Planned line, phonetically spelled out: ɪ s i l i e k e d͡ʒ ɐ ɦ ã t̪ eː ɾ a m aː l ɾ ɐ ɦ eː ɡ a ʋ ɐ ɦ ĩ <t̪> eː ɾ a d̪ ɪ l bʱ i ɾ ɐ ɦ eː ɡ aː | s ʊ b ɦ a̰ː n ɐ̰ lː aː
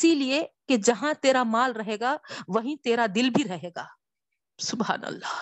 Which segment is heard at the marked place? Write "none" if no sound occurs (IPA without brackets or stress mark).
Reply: t̪